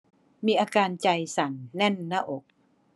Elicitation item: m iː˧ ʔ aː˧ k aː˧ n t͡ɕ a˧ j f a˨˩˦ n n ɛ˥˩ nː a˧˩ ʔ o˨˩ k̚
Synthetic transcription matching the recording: m iː˧ ʔ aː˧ k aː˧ n t͡ɕ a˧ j s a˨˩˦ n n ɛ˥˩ nː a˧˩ ʔ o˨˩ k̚